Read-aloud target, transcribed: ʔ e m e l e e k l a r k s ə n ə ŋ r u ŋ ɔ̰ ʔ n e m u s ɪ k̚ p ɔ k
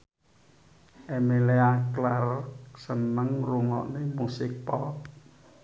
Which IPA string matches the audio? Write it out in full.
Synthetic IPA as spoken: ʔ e m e l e a k l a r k s ə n ə ŋ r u ŋ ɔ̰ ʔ n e m u s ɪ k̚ p ɔ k